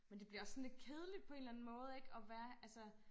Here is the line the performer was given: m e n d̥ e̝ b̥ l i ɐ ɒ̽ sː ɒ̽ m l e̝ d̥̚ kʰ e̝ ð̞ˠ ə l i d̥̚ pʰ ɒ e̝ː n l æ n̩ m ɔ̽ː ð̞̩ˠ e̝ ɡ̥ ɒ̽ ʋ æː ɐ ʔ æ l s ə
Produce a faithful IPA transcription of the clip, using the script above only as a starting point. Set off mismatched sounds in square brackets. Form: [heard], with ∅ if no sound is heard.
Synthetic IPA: m e n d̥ e̝ b̥ l i ɐ ɒ̽ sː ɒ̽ [n] l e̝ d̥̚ kʰ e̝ ð̞ˠ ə l i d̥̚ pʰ ɒ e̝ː n l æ n̩ m ɔ̽ː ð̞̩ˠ e̝ ɡ̥ ɒ̽ ʋ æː ɐ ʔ æ l s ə